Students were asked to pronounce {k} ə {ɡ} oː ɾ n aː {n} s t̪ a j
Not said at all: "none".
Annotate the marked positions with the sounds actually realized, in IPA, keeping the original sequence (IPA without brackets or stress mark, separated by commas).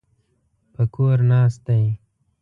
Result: p, k, none